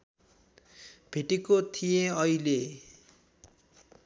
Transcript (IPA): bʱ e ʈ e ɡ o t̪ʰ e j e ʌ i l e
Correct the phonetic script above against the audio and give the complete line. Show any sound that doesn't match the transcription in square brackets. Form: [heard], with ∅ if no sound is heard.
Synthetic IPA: bʱ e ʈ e [k] o t̪ʰ [i] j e ʌ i l e